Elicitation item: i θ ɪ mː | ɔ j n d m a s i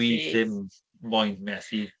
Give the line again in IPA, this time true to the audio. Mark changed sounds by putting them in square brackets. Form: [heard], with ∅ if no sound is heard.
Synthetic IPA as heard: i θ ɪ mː | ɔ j n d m [ɛ] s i